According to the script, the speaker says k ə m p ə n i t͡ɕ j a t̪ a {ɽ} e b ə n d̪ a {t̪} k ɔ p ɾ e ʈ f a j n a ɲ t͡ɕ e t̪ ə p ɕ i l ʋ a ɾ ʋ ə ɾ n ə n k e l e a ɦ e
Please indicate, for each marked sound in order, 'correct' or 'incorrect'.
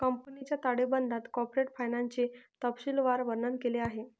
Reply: correct, correct

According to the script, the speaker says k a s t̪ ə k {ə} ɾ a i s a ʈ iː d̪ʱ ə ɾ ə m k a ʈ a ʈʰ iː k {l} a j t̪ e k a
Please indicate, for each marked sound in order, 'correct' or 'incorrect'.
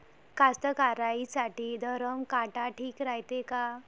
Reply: incorrect, incorrect

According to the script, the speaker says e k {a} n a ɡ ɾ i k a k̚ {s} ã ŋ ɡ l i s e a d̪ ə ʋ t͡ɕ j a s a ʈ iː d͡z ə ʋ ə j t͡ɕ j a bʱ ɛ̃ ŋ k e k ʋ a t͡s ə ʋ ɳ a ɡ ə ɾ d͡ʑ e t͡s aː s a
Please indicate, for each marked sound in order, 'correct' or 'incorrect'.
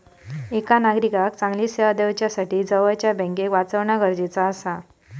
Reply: correct, incorrect

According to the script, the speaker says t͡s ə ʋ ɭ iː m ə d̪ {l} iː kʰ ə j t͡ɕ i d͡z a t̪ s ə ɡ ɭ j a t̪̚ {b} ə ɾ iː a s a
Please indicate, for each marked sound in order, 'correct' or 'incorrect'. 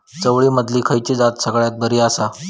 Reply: correct, correct

